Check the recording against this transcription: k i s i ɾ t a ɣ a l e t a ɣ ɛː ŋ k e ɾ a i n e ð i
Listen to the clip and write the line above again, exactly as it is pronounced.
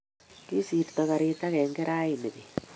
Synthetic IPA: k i s i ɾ t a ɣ a ɾ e t a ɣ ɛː ŋ ɡ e ɾ a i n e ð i